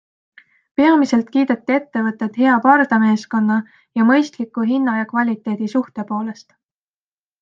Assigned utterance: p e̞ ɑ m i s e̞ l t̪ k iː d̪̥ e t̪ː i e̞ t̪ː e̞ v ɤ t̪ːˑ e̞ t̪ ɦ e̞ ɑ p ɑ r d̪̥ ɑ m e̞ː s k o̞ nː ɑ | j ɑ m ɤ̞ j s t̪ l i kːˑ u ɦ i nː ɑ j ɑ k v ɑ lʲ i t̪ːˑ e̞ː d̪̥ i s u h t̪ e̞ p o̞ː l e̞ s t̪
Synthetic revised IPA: p e̞ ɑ m i s e̞ l t̪ k iː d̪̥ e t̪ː i e̞ t̪ː e̞ v ɤ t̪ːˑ e̞ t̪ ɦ e̞ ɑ p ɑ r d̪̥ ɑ m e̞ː s k o̞ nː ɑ | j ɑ m ɤ̞ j s t̪ l i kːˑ u ɦ i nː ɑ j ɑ k v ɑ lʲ i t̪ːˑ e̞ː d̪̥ i s u h t̪ e̞ p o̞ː l e̞ s t̪

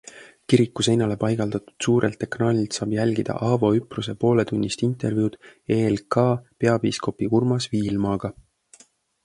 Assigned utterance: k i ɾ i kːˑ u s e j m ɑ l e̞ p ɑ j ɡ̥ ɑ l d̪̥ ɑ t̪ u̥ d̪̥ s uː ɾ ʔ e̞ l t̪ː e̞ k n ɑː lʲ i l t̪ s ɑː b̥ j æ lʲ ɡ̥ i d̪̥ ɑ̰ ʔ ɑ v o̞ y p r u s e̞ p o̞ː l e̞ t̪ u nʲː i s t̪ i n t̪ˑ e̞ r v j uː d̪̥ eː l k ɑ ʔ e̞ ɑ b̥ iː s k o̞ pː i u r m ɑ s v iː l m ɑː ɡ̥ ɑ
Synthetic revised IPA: k i ɾ i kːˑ u s e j n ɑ l e̞ p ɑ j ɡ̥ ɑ l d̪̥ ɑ t̪ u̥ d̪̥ s uː ɾ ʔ e̞ l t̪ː e̞ k n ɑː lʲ i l t̪ s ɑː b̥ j æ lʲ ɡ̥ i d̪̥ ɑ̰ ʔ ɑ v o̞ y p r u s e̞ p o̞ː l e̞ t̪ u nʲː i s t̪ i n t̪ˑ e̞ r v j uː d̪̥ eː l k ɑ p e̞ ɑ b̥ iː s k o̞ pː i u r m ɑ s v iː l m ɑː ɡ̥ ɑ

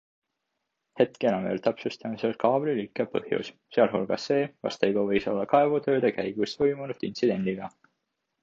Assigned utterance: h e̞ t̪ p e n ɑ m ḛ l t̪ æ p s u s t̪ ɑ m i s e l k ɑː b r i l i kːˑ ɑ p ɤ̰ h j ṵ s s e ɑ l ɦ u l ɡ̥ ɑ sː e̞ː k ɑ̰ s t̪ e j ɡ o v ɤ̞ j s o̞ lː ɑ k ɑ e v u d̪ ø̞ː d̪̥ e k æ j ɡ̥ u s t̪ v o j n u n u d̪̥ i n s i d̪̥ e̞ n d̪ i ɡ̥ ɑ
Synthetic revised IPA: h e̞ t̪ k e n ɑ m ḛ l t̪ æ p s u s t̪ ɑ m i s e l k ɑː b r i l i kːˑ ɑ p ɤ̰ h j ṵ s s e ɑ l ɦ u l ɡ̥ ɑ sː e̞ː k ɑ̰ s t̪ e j ɡ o v ɤ̞ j s o̞ lː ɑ k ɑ e v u t̪ ø̞ː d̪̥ e k æ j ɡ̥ u s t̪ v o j m u n u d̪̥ i n s i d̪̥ e̞ n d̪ i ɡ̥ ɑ

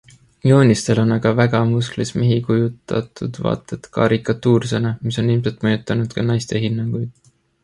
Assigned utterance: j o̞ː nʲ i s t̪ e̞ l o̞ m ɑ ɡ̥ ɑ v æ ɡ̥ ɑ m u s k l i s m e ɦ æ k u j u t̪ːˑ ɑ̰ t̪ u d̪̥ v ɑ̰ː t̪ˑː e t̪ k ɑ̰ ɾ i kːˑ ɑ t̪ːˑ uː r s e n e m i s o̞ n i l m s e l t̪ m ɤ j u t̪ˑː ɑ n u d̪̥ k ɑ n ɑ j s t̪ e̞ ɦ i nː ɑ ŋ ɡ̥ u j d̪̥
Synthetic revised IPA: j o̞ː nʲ i s t̪ e̞ l o̞ n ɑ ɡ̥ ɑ v æ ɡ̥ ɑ m u s k l i s m e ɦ i k u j u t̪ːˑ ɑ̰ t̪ u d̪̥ v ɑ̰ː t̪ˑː e t̪ k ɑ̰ ɾ i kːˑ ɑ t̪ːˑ uː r s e n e m i s o̞ n i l m s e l t̪ m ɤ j u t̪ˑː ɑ n u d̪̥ k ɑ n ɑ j s t̪ e̞ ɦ i nː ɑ ŋ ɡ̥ u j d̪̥

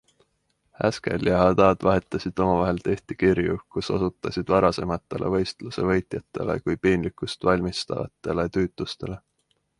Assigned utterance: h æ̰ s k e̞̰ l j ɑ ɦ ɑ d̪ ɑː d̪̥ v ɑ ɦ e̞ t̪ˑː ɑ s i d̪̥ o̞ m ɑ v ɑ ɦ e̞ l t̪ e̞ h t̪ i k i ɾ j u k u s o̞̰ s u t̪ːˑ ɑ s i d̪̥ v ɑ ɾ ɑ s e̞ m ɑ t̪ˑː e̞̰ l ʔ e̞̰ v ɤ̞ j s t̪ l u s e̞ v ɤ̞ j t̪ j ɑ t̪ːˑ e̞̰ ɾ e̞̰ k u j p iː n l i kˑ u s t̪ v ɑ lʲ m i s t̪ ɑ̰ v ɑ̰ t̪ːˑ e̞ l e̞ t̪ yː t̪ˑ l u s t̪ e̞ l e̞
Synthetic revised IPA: h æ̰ s k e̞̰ l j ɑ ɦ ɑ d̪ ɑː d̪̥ v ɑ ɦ e̞ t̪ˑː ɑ s i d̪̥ o̞ m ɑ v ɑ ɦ e̞ l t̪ e̞ h t̪ i k i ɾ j u k u s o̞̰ s u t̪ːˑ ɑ s i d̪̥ v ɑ ɾ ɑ s e̞ m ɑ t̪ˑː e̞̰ l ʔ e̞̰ v ɤ̞ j s t̪ l u s e̞ v ɤ̞ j t̪ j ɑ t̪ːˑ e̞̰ l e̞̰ k u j p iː n l i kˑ u s t̪ v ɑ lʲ m i s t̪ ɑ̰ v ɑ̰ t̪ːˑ e̞ l e̞ t̪ yː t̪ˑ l u s t̪ e̞ l e̞

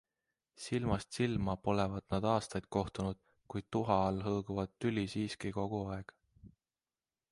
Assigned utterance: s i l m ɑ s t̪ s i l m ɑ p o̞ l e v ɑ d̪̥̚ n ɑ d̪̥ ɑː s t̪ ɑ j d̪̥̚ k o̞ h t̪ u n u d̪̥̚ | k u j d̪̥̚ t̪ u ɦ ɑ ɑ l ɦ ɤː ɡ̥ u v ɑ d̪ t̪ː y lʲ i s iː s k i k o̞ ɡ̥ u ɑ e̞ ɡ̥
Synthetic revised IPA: s i l m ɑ s t̪ s i l m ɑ p o̞ l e v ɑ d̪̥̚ n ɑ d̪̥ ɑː s t̪ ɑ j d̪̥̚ k o̞ h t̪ u n u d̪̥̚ | k u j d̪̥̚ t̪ u ɦ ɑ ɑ l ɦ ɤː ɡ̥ u v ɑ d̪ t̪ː y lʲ i s iː s k i k o̞ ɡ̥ u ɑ e̞ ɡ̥

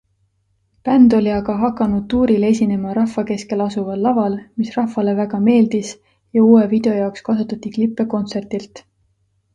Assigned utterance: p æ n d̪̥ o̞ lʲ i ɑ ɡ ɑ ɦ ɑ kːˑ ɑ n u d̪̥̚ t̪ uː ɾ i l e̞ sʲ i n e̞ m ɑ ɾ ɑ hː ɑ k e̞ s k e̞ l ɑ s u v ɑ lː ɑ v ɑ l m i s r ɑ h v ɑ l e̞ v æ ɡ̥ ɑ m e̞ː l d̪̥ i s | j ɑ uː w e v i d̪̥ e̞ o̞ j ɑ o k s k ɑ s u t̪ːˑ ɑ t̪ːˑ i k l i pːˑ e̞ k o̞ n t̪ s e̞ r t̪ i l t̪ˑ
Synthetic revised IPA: p æ n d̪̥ o̞ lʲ i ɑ ɡ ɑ ɦ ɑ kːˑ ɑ n u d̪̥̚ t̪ uː ɾ i l e̞ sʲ i n e̞ m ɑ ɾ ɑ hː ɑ k e̞ s k e̞ l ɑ s u v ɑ lː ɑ v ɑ l m i s r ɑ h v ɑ l e̞ v æ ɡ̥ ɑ m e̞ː l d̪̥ i s | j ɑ uː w e v i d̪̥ e̞ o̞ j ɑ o k s k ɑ s u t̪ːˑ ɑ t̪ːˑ i k l i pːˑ e̞ k o̞ n t̪ s e̞ r t̪ i l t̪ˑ

